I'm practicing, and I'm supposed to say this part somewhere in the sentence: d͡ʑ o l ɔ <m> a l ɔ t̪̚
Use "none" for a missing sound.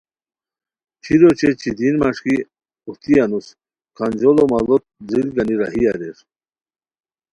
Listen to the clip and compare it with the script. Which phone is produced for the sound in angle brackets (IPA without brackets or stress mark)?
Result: m